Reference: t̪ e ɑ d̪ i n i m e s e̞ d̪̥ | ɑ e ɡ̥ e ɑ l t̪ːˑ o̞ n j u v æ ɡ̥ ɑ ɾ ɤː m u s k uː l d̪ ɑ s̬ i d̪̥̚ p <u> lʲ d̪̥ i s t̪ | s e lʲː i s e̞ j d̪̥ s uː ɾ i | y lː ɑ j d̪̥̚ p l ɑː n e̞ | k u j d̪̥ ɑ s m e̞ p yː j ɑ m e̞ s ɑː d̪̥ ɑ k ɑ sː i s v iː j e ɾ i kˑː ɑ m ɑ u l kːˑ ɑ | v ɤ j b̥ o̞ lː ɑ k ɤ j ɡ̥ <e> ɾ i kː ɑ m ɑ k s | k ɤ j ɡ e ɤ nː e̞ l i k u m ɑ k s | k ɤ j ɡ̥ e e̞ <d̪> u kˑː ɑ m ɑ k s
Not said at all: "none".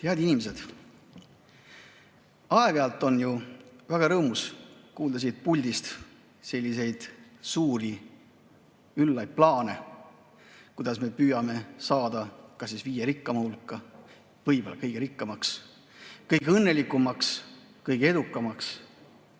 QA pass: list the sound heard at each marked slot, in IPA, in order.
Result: u, e, d̪

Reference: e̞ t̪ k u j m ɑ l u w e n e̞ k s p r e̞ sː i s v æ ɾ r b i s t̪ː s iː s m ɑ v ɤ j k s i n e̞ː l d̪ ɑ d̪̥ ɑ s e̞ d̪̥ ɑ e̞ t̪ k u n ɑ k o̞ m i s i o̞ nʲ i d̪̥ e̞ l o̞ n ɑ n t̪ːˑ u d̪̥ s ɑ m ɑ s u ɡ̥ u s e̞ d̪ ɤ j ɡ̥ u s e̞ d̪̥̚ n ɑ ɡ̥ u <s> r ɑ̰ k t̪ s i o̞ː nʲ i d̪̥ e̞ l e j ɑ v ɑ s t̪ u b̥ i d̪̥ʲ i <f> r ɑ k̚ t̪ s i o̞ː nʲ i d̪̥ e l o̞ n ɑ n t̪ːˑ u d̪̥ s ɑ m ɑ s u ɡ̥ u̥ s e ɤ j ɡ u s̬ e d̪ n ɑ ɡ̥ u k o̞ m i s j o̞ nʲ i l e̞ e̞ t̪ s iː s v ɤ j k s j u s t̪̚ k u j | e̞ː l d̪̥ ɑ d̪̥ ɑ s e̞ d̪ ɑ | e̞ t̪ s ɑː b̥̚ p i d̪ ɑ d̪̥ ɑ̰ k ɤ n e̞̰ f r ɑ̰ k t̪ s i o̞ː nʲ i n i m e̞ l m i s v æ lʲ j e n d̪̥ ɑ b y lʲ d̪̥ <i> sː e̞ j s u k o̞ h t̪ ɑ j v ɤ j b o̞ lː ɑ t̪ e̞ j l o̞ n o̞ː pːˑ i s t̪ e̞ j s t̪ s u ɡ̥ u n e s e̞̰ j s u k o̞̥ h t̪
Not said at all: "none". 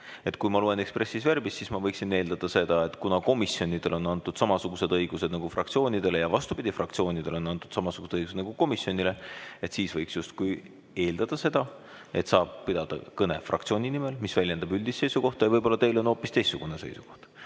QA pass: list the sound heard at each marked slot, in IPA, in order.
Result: f, f, i

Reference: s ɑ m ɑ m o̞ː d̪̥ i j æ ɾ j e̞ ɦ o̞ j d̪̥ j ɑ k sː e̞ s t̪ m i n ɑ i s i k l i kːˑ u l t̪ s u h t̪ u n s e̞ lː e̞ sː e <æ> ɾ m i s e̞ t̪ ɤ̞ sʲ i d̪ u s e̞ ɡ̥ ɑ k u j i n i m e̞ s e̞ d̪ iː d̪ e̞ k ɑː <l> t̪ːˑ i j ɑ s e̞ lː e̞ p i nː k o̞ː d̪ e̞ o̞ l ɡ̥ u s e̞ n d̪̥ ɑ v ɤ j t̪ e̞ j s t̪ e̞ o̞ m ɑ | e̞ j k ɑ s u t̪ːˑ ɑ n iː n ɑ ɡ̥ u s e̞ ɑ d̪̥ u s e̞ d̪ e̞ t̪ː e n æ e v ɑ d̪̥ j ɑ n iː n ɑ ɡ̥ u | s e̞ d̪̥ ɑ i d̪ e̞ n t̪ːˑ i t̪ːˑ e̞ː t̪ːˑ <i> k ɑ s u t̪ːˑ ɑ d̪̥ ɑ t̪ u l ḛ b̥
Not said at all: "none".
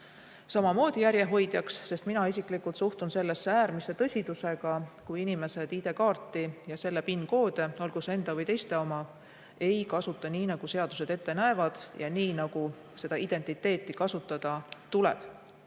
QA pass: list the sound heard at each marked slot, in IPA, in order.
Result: æː, r, i

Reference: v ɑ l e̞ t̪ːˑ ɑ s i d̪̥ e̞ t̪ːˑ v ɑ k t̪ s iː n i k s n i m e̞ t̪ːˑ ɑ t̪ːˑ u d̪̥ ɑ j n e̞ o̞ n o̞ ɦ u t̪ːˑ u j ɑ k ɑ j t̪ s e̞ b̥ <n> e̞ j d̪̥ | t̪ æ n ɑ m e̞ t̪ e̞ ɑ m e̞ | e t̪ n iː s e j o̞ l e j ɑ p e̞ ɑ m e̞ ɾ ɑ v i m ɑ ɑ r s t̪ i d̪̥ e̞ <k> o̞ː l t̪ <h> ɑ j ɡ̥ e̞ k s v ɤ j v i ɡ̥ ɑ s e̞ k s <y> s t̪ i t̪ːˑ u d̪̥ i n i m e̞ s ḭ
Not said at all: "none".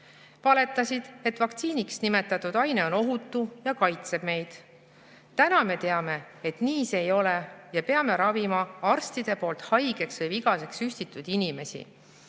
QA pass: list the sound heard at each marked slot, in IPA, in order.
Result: m, p, h, y

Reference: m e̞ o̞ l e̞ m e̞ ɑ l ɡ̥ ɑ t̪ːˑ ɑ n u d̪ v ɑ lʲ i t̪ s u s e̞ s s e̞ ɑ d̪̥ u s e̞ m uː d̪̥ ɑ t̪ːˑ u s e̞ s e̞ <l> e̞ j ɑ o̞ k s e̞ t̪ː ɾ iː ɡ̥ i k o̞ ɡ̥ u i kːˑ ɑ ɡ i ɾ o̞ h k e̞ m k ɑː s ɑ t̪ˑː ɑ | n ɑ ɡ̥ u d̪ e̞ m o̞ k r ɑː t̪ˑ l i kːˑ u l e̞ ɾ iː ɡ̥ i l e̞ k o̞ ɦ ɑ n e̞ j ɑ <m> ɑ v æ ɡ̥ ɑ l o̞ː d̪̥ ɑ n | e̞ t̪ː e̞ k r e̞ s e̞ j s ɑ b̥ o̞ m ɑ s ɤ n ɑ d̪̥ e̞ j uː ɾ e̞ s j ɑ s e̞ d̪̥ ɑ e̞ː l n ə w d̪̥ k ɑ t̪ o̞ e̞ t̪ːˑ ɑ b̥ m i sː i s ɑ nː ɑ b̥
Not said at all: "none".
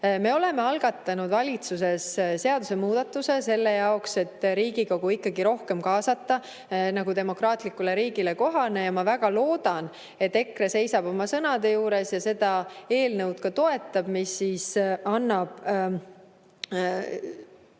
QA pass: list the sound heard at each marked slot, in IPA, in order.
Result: lː, m

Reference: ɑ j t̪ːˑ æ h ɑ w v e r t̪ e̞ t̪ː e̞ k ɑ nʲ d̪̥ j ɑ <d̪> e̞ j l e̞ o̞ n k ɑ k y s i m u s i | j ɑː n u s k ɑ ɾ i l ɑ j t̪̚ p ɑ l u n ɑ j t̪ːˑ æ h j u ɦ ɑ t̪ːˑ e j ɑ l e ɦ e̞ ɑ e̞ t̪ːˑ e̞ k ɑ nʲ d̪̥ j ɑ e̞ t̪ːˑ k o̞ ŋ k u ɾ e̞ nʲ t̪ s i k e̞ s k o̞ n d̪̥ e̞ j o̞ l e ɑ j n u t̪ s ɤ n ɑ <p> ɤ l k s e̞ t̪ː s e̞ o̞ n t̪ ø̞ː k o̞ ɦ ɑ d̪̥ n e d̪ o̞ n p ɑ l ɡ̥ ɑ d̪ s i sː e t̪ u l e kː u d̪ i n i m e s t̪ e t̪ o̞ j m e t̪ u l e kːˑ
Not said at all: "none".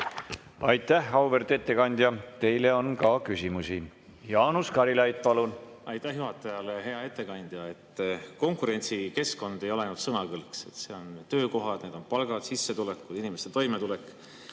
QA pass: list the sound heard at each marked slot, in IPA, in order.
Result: t̪, k

